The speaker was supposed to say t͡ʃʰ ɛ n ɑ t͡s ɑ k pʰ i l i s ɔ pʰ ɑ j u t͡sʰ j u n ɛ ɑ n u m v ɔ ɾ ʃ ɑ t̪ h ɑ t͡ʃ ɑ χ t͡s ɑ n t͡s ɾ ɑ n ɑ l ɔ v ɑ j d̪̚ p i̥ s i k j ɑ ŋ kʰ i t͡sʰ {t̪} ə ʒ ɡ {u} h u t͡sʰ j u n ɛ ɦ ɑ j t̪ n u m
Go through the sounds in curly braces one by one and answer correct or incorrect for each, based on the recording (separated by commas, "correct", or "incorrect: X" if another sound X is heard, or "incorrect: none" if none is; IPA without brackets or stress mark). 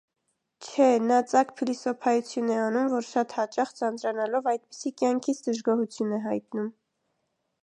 incorrect: d̪, incorrect: ɔ